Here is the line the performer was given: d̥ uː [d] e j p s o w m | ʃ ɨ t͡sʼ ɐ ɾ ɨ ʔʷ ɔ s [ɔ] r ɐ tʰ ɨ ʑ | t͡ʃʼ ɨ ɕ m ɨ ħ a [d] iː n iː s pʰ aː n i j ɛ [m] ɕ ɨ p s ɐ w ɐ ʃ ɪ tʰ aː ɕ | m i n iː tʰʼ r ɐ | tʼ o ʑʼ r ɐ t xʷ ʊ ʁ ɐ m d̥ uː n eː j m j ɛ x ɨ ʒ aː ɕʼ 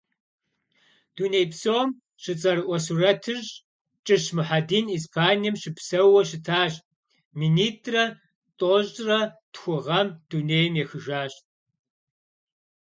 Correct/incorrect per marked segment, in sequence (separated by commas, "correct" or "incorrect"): incorrect, incorrect, correct, correct